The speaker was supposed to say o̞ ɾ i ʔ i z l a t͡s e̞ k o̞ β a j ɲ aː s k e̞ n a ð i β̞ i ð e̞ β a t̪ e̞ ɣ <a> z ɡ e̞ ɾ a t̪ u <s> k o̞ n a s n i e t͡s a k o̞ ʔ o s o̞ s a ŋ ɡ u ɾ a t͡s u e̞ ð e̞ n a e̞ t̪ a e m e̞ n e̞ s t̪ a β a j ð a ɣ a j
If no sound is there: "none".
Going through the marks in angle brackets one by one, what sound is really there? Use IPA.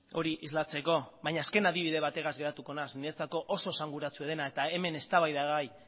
a, none

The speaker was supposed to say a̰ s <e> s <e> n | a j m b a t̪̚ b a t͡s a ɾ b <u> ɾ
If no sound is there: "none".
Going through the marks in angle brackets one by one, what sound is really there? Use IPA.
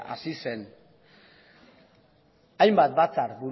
i, e, u

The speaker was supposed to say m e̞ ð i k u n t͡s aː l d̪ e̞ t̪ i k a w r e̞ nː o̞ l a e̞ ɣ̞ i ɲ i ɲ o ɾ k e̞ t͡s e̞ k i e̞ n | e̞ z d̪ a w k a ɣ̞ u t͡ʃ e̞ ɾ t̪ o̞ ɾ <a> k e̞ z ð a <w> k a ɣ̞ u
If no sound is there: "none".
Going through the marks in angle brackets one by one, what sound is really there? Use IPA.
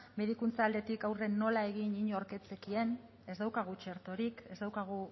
i, w

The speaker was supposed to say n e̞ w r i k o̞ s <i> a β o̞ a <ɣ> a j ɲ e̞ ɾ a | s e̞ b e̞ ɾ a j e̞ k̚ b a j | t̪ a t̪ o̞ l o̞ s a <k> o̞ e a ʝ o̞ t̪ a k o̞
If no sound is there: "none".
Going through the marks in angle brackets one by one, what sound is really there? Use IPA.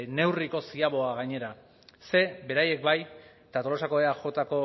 i, ɣ, k

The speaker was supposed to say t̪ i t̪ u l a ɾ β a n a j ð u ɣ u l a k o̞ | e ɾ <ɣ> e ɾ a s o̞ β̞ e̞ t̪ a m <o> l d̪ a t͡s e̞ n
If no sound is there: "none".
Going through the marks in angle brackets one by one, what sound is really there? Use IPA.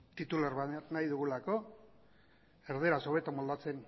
ð, o

